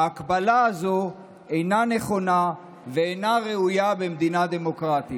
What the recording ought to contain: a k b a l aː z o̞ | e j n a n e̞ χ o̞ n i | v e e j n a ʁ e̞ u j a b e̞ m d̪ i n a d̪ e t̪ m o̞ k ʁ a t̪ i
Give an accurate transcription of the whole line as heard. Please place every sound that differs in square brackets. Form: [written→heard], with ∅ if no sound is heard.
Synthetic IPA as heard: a k b a l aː z o̞ | e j n a n e̞ χ o̞ n [i→a] | v e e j n a ʁ e̞ u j a b e̞ m d̪ i n a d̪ e [t̪→∅] m o̞ k ʁ a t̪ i